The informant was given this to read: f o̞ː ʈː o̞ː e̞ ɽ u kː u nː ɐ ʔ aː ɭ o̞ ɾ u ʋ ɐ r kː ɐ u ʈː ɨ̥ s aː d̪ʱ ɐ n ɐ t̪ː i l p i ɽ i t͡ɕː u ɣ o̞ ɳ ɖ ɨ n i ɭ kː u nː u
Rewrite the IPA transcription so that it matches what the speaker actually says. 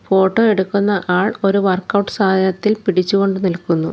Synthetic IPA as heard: f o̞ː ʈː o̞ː e̞ ɽ u kː u nː ɐ ʔ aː ɭ o̞ ɾ u ʋ ɐ r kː ɐ w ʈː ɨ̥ s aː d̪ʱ ɐ n ɐ t̪ː i l p i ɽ i t͡ɕː u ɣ o̞ ɳ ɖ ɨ n i l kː u nː u

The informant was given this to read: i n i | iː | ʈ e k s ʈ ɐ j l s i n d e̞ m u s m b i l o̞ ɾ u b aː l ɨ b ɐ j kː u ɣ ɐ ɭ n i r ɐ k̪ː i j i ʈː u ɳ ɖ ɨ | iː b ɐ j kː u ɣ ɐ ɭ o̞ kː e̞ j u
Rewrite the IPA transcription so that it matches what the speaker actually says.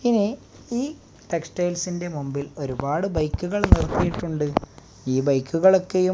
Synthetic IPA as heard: i n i | iː | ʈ e k s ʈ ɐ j l s i n d e̞ m u m b i l o̞ ɾ u b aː ɽ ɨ b ɐ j kː u ɣ ɐ ɭ n i r ɐ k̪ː i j i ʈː u ɳ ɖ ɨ | iː b ɐ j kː u ɣ ɐ ɭ o̞ kː e̞ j u

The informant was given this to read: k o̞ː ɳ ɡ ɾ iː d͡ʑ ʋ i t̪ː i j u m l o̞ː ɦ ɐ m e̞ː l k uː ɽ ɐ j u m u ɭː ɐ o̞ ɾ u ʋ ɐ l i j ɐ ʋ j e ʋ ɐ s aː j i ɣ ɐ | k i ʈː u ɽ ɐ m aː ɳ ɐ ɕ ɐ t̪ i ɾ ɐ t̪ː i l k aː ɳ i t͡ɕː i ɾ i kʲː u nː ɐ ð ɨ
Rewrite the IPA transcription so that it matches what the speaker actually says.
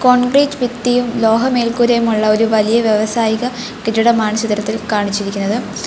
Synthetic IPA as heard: k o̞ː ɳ ɡ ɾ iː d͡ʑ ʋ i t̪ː i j u m l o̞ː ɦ ɐ m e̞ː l k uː ɾ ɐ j u m u ɭː ɐ o̞ ɾ u ʋ ɐ l i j ɐ ʋ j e ʋ ɐ s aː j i ɣ ɐ | k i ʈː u ɽ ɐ m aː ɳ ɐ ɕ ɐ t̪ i ɾ ɐ t̪ː i l k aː ɳ i t͡ɕː i ɾ i kʲː u nː ɐ ð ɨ

